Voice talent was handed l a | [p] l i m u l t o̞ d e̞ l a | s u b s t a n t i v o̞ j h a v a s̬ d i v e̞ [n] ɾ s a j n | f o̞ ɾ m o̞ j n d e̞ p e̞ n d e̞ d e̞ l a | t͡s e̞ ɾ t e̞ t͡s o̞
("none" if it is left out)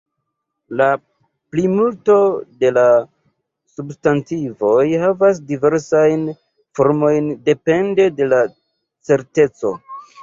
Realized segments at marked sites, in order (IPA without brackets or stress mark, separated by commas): p, none